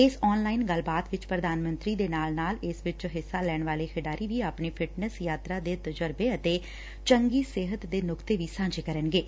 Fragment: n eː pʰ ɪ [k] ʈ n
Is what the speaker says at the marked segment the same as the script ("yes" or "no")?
no